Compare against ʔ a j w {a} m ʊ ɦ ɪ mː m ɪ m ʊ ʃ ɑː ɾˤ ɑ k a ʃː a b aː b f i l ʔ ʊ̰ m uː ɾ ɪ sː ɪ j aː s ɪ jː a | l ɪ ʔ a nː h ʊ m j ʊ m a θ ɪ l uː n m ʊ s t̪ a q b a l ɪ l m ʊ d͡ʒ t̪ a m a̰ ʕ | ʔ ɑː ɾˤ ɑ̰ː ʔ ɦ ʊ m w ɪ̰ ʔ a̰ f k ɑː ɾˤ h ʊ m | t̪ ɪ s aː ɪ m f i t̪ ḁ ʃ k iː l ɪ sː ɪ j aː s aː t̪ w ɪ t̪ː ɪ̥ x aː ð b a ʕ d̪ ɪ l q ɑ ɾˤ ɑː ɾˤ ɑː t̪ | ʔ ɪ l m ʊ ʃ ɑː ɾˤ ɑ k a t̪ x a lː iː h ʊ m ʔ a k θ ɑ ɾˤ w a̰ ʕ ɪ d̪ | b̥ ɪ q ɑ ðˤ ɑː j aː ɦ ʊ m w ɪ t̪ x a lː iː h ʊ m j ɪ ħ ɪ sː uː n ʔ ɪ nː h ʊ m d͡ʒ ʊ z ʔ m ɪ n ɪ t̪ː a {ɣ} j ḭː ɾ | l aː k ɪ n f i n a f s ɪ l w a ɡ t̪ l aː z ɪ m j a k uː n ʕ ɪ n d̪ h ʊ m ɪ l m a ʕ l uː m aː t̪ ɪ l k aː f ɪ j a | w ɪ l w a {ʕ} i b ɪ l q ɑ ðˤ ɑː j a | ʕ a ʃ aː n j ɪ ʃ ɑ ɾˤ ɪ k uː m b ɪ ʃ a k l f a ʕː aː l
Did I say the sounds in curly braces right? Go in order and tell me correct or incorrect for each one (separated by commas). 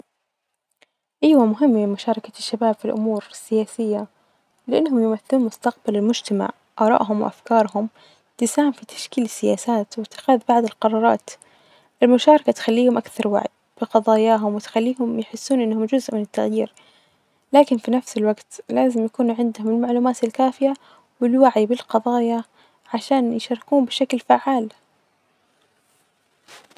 correct, correct, correct